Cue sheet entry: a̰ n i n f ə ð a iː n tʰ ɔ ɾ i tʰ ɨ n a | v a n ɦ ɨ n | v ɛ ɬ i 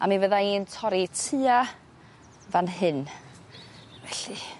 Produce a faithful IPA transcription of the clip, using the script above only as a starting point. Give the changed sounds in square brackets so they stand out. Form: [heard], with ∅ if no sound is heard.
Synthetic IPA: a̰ [m] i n [v] ə ð a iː n tʰ ɔ ɾ i tʰ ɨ [∅] a | v a n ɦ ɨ n | v ɛ ɬ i